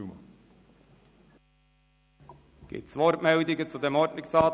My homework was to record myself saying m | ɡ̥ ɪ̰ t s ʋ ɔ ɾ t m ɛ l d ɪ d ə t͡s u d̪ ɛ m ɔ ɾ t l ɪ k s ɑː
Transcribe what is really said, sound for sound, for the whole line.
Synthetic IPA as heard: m | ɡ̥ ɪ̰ t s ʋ ɔ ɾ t m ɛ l d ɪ ɡ ə t͡s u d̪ ɛ m ɔ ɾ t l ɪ k s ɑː